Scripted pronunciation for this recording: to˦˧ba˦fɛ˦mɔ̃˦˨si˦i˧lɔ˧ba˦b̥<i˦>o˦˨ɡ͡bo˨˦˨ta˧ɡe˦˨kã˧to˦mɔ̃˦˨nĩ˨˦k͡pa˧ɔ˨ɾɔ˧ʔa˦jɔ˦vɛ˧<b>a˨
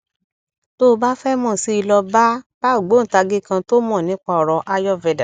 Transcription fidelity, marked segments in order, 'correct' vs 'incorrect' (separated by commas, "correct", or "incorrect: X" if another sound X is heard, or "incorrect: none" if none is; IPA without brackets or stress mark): incorrect: a˦, incorrect: d